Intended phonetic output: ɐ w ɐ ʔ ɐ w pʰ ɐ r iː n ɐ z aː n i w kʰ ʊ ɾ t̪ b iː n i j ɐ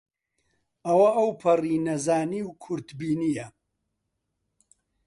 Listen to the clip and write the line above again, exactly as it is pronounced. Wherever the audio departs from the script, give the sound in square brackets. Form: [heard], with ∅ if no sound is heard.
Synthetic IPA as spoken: ɐ w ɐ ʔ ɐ w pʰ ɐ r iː n ɐ z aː n i w kʰ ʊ ɾ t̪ b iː n i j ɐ